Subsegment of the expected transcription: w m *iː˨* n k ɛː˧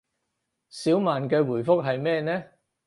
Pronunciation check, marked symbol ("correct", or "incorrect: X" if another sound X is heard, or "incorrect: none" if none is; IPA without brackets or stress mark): incorrect: aː˨